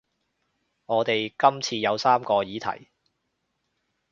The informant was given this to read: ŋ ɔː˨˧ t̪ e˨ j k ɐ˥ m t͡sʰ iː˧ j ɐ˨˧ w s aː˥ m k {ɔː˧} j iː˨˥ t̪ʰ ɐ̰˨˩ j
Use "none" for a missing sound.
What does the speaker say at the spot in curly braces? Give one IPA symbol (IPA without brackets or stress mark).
ɔː˧